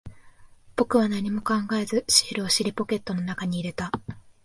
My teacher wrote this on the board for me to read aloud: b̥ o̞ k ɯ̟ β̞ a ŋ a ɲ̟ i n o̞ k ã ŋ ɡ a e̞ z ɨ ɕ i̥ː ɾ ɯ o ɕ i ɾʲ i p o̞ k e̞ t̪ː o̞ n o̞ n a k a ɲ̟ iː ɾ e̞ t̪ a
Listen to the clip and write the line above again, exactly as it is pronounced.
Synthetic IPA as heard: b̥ o̞ k ɯ̟ β̞ a n a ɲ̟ i m o̞ k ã ŋ ɡ a e̞ z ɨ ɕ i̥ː ɾ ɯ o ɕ i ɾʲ i p o̞ k e̞ t̪ː o̞ n o̞ n a k a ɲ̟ iː ɾ e̞ t̪ a